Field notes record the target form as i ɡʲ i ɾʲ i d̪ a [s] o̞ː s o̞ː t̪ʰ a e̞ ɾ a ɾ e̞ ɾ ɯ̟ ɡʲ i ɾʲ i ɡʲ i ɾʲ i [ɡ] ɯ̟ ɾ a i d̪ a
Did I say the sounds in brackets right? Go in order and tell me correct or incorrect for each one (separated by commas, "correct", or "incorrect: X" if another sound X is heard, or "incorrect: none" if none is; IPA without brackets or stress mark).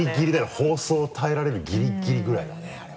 incorrect: h, correct